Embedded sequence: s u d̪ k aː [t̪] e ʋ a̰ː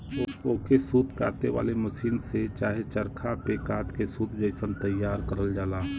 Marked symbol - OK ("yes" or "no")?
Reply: yes